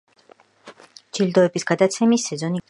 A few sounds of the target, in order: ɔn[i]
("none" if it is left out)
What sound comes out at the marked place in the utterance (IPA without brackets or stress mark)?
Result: i